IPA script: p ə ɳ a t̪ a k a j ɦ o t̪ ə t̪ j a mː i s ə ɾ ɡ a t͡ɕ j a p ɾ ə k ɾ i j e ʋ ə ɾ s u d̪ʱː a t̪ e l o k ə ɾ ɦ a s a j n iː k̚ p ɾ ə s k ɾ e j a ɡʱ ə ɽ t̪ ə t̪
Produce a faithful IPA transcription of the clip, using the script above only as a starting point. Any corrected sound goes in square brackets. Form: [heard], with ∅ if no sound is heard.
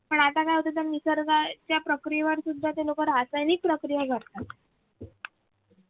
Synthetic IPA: p ə ɳ a t̪ a k a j ɦ o t̪ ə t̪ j a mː i s ə ɾ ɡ a t͡ɕ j a p ɾ ə k ɾ i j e ʋ ə ɾ s u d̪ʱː a t̪ e l o k ə ɾ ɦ a s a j n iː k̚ p ɾ ə [∅] k ɾ [i] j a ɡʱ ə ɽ t̪ [a] t̪

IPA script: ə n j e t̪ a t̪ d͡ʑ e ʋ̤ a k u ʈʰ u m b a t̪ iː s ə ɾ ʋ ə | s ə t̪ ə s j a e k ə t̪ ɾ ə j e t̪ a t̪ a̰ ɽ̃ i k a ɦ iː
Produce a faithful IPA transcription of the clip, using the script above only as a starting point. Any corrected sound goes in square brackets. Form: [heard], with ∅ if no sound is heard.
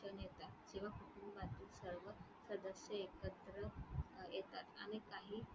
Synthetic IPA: ə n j e t̪ a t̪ d͡ʑ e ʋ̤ a k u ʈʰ u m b a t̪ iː s ə ɾ ʋ ə | s ə [d̪] ə s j [ə] e k ə t̪ ɾ ə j e t̪ a t̪ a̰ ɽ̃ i k a ɦ iː

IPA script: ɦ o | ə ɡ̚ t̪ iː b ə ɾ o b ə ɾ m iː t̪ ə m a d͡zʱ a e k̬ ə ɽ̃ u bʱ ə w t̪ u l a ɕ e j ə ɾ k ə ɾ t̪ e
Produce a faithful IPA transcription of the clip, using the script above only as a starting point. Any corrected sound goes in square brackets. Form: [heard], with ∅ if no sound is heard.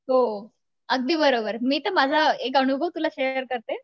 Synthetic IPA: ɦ o | ə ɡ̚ [d̪] iː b ə ɾ o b ə ɾ m iː t̪ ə m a d͡zʱ a e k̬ ə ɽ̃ u bʱ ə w t̪ u l a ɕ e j ə ɾ k ə ɾ t̪ e

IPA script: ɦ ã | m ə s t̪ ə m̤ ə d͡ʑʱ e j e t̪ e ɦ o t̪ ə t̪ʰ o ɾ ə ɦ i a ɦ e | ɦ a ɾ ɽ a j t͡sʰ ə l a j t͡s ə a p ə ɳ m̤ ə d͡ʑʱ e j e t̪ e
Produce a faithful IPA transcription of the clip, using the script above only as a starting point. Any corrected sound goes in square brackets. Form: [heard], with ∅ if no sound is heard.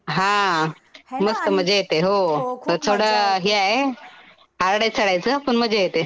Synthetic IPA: ɦ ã | m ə s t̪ ə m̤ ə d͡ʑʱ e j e t̪ e ɦ o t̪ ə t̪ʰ o [ɽ] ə ɦ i a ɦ e | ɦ a ɾ ɽ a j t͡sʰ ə [ɽ] a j t͡s ə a p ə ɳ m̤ ə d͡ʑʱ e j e t̪ e

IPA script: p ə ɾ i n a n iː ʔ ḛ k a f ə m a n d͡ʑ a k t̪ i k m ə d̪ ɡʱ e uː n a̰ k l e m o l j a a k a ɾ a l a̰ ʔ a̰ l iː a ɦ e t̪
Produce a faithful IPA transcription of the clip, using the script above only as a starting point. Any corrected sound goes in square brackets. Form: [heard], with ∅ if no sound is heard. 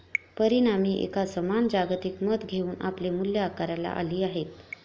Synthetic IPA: p ə ɾ i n a [m] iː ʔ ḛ k a [s] ə m a n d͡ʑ a [ɡ] t̪ i k m ə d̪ ɡʱ e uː n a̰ [p] l e m [u] l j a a k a ɾ a l a̰ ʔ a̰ l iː a ɦ e t̪

